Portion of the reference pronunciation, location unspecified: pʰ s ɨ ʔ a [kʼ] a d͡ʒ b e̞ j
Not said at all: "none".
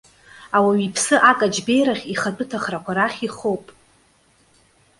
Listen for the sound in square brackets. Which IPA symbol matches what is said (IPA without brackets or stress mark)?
kʼ